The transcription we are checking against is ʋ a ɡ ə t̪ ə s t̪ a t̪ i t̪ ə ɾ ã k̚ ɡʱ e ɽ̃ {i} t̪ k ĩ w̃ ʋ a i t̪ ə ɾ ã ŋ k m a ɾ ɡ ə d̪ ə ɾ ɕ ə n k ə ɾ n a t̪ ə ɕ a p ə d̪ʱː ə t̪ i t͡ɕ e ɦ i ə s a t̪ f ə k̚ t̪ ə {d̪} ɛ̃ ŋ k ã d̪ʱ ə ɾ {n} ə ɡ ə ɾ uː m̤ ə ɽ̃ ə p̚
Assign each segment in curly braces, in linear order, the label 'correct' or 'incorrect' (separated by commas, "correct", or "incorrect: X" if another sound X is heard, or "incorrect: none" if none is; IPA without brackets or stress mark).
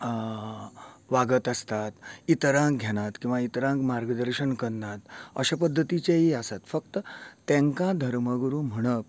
incorrect: a, incorrect: t̪, incorrect: m